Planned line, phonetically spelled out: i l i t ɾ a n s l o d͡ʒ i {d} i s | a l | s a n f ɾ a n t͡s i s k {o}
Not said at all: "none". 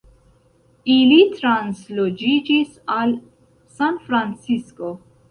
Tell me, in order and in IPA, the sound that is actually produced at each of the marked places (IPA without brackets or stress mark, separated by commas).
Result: d͡ʒ, o